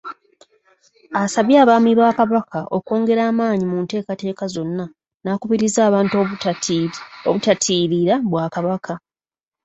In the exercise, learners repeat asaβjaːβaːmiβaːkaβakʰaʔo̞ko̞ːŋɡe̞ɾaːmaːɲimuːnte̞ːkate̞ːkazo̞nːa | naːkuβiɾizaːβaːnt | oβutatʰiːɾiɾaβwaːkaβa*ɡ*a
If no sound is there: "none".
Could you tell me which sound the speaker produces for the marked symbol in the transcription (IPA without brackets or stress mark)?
k